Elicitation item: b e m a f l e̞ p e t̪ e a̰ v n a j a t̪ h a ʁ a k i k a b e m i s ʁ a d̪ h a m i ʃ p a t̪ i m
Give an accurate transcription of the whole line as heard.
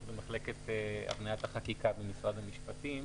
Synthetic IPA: b e m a χ l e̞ k e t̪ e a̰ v n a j a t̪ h a χ a k i k a b e m i s ʁ a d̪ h a m i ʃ p a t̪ i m